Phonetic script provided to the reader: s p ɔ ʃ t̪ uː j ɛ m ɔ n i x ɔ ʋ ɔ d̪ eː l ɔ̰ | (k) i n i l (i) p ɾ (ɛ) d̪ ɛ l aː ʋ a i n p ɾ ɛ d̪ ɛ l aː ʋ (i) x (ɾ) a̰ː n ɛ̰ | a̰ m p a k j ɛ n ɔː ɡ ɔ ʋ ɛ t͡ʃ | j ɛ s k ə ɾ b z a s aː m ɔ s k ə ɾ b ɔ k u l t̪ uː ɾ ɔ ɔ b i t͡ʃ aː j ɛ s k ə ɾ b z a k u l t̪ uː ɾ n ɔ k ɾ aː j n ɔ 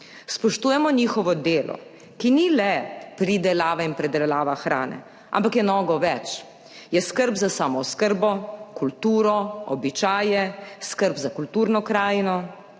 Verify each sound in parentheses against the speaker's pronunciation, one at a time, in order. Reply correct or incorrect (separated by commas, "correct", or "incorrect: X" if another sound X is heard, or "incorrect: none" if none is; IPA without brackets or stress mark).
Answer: correct, incorrect: ɛ, incorrect: i, incorrect: a, correct